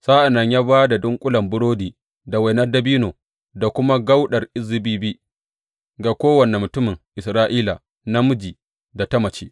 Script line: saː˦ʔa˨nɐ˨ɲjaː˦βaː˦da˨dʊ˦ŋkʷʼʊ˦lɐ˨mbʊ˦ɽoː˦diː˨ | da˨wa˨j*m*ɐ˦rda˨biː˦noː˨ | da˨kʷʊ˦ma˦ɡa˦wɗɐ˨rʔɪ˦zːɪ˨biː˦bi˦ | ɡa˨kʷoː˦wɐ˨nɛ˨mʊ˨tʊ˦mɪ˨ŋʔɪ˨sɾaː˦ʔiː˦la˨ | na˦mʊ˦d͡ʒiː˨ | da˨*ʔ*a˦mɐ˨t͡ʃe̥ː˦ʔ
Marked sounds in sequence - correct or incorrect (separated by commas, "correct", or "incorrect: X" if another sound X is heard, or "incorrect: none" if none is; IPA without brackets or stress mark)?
incorrect: n, incorrect: t